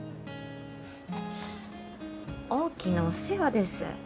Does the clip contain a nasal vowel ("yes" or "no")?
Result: no